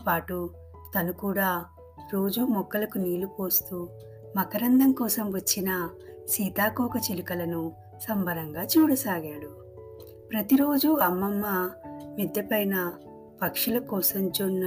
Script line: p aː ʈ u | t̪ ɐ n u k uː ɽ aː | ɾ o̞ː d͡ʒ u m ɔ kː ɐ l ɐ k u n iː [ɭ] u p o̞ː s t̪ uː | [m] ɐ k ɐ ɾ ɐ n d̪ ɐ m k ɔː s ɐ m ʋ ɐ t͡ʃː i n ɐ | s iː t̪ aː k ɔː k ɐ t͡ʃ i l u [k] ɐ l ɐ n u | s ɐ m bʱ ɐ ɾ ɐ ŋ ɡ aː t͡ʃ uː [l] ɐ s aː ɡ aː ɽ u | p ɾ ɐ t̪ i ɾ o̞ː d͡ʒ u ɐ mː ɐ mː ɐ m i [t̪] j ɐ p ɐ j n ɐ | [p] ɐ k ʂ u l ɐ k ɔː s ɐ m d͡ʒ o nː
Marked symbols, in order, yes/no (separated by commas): no, yes, yes, no, no, yes